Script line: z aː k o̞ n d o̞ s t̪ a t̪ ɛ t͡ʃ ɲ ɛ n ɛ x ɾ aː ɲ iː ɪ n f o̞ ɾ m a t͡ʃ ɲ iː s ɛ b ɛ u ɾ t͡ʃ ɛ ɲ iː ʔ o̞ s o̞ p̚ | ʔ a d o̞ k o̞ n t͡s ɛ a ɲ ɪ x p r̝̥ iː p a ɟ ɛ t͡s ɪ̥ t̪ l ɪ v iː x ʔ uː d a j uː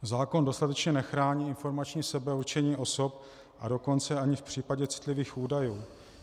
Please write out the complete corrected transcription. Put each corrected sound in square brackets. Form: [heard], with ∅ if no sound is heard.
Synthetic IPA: z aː k o̞ n d o̞ s t̪ a t̪ ɛ t͡ʃ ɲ ɛ n ɛ x ɾ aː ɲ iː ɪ n f o̞ ɾ m a t͡ʃ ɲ iː s ɛ b ɛ u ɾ t͡ʃ ɛ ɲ iː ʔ o̞ s o̞ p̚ | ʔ a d o̞ k o̞ n t͡s ɛ a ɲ ɪ [f] p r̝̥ iː p a ɟ ɛ t͡s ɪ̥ t̪ l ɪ v iː x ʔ uː d a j uː